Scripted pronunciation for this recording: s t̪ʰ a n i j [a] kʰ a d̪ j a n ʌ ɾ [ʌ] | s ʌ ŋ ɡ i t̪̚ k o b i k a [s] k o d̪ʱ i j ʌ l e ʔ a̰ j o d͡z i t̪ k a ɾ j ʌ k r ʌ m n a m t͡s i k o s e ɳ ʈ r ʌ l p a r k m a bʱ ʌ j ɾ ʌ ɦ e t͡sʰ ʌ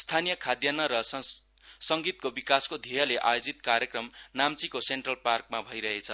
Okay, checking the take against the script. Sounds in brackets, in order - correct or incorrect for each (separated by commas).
incorrect, correct, correct